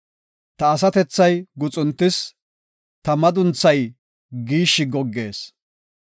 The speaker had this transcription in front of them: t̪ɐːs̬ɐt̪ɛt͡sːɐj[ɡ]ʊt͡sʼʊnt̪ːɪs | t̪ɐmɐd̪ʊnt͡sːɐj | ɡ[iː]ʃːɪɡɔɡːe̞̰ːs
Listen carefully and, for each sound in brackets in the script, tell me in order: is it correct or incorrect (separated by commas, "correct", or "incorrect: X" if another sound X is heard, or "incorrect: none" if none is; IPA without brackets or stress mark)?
correct, correct